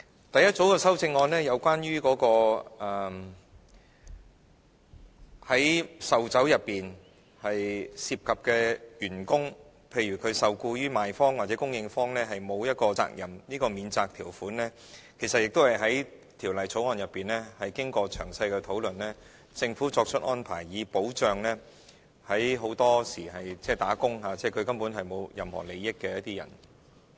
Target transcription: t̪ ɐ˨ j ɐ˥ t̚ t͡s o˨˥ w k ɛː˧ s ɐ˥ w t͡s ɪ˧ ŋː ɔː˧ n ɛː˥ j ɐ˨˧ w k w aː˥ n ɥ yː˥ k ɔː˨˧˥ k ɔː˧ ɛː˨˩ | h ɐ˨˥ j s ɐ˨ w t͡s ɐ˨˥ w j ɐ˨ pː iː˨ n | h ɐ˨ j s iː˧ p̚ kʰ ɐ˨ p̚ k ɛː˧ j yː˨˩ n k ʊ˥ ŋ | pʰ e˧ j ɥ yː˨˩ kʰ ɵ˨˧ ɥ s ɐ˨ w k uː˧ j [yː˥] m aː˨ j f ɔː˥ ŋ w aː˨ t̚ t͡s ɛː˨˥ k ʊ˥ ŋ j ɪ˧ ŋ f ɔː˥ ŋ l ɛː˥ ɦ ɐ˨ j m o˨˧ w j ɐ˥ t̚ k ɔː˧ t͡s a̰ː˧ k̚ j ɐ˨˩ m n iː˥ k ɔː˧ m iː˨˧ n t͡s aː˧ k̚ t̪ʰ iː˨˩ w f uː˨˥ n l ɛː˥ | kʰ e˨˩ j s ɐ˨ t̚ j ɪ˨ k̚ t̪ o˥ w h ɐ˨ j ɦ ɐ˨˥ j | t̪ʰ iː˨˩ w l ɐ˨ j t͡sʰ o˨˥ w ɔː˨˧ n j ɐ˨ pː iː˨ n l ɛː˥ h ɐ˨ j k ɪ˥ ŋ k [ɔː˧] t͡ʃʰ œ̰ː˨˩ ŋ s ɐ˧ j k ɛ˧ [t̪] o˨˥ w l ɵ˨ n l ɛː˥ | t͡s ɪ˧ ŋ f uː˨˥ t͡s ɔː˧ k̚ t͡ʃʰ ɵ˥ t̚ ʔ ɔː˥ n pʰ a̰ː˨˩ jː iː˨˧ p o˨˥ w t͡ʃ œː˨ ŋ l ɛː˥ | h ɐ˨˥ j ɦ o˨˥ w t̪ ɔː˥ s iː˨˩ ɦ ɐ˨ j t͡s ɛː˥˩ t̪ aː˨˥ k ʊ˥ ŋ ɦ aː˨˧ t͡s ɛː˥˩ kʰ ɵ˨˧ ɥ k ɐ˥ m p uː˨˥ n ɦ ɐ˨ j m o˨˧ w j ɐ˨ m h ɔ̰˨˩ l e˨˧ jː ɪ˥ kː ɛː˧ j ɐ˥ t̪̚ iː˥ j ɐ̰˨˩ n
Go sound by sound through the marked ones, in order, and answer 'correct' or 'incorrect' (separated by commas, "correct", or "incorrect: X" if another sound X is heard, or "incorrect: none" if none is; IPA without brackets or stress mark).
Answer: correct, correct, incorrect: t̪ʰ